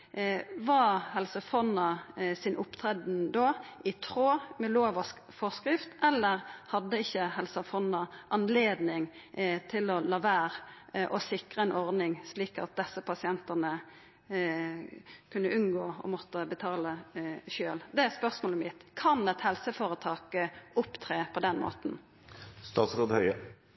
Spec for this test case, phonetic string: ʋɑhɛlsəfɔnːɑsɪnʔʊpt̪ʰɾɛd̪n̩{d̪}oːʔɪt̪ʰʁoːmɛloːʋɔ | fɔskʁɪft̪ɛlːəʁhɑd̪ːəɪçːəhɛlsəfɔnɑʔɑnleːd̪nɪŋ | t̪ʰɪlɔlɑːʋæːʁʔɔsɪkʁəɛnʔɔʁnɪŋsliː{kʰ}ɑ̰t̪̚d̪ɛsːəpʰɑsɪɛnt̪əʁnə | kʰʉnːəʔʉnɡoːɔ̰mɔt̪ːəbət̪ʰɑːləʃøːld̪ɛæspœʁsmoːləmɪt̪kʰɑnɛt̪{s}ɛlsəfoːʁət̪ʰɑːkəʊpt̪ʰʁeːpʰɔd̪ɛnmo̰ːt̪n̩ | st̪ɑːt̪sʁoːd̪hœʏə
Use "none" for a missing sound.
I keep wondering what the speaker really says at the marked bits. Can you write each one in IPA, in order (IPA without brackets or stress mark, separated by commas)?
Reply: d̪, k, h